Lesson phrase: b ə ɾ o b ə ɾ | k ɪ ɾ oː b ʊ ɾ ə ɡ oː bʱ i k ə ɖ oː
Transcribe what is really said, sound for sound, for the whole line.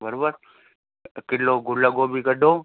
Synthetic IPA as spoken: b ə ɾ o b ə ɾ | k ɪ l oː ɡ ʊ l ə ɡ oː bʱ i k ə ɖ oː

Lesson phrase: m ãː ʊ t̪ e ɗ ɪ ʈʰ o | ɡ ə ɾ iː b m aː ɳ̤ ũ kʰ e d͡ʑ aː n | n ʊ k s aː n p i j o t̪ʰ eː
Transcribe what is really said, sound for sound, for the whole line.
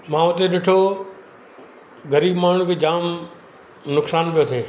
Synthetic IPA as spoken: m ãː ʊ t̪ e ɗ ɪ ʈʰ o | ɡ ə ɾ iː b m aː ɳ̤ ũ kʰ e d͡ʑ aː m | n ʊ k s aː n p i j o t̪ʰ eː

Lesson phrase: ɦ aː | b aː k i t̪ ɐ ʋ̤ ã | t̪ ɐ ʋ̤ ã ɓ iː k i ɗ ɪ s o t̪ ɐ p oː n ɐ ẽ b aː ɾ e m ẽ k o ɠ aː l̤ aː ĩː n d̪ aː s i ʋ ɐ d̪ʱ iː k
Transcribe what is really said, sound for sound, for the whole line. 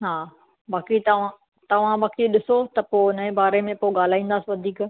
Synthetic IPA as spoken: ɦ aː | b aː k i t̪ ɐ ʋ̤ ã | t̪ ɐ ʋ̤ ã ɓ aː k i ɗ ɪ s o t̪ ɐ p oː n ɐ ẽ b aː ɾ e m ẽ p o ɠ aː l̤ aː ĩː n d̪ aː s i ʋ ɐ d̪ʱ iː k

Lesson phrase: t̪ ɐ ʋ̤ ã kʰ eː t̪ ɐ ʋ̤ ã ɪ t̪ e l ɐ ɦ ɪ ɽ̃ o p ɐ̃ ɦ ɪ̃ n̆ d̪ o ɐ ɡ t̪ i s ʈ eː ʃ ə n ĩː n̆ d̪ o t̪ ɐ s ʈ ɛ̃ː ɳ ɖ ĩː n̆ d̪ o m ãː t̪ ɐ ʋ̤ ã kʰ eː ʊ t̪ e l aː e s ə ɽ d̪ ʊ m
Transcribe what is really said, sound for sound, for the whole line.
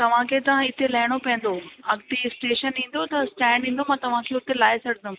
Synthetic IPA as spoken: t̪ ɐ ʋ̤ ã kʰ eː t̪ ɐ ʋ̤ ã ɪ t̪ e l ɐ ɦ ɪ ɽ̃ o p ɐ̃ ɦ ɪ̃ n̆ d̪ o ɐ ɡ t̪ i s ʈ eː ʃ ə n ĩː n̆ d̪ o t̪ ɐ s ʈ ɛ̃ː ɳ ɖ ĩː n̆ d̪ o m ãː t̪ ɐ ʋ̤ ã kʰ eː ʊ t̪ e l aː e s ɐ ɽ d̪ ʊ m

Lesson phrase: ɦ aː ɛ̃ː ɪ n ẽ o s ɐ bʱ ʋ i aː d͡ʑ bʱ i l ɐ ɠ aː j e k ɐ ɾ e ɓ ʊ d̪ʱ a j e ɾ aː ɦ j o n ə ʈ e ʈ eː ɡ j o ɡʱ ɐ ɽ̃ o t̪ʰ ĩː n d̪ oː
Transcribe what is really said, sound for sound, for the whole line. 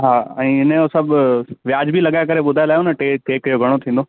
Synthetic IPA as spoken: ɦ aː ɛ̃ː ɪ n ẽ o s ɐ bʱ ʋ j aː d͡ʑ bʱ i l ɐ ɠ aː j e k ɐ ɾ e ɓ ʊ d̪ʱ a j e l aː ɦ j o n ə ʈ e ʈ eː k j o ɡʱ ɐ ɽ̃ o t̪ʰ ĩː n d̪ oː

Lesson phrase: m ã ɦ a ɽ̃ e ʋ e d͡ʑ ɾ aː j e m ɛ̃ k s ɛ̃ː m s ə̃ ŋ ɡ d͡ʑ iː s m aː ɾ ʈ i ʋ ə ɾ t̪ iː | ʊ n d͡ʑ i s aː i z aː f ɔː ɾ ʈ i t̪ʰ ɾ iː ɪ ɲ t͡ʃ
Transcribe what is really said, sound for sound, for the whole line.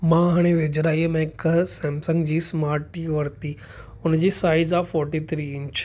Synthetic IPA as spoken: m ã ɦ a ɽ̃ e ʋ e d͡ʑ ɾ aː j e m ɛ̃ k s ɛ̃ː m s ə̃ ŋ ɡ d͡ʑ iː s m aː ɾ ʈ i ʋ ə ɾ t̪ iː | ʊ n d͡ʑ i s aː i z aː f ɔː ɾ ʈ i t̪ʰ ɾ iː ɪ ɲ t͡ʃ

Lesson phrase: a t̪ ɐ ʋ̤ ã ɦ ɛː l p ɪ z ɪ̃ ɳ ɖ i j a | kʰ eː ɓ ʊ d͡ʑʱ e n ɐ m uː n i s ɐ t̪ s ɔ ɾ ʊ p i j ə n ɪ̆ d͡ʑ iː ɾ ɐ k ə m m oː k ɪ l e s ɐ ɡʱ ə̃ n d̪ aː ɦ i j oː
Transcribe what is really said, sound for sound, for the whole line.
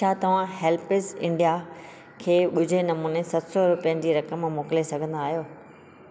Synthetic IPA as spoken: a t̪ ɐ ʋ̤ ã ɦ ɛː l p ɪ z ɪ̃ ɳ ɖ i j a | kʰ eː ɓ ʊ d͡ʑʱ e n ɐ m uː n e s ɐ t̪ s ɔ ɾ ʊ p i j ə n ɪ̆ d͡ʑ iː ɾ ɐ k ə m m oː k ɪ l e s ɐ ɡʱ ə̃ n d̪ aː ɦ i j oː

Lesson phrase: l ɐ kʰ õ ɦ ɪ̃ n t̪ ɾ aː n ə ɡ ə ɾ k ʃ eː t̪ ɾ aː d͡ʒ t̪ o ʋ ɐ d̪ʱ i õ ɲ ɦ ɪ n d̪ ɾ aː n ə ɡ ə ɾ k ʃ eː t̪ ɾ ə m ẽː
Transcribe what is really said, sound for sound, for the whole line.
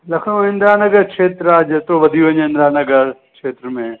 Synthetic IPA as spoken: l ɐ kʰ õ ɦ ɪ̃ n d̪ ɾ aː n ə ɡ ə ɾ k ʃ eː t̪ ɾ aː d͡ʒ t̪ o ʋ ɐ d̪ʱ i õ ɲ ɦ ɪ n d̪ ɾ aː n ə ɡ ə ɾ k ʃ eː t̪ ɾ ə m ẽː

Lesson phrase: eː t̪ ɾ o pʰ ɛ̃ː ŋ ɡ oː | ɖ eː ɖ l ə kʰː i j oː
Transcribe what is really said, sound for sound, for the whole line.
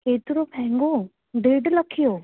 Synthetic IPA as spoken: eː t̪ ɾ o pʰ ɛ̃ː ŋ ɡ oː | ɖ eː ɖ l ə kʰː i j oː

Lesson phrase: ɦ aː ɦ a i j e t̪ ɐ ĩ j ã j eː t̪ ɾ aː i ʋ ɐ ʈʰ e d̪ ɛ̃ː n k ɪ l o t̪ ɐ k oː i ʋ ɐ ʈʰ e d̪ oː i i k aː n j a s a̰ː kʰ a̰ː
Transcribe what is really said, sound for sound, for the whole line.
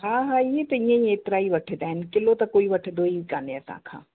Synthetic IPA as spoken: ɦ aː ɦ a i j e t̪ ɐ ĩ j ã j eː t̪ ɾ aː i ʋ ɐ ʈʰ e d̪ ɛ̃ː n k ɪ l o t̪ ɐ k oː i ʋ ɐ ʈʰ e d̪ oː i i k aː n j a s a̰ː kʰ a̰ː

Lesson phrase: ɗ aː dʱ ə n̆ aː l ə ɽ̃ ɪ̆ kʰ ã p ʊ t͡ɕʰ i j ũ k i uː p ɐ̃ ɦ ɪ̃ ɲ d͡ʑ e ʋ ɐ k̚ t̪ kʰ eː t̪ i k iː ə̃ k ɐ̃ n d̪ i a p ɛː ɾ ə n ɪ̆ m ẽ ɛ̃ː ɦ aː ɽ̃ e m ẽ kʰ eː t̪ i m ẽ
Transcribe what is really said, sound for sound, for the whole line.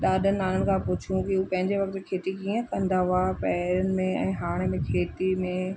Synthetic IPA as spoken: ɗ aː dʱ ə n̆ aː l ə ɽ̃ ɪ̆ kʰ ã p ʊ t͡ɕʰ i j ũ k i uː p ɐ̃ ɦ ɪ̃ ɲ d͡ʑ e ʋ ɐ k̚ t̪ kʰ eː t̪ i k iː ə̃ k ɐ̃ n d̪ a a p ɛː ɾ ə n ɪ̆ m ẽ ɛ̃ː ɦ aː ɽ̃ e m ẽ kʰ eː t̪ i m ẽ

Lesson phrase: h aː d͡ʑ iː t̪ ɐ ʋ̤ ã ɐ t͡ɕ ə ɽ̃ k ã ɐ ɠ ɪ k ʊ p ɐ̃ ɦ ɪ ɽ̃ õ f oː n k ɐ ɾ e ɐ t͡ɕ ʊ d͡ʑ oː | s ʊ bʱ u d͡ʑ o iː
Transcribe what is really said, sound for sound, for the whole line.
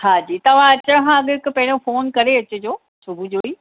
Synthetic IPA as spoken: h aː d͡ʑ iː t̪ ɐ ʋ̤ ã ɐ t͡ɕ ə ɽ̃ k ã ɐ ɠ ɪ k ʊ p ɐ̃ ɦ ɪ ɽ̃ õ f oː n k ɐ ɾ e ɐ t͡ɕ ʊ d͡ʑ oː | s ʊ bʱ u d͡ʑ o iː

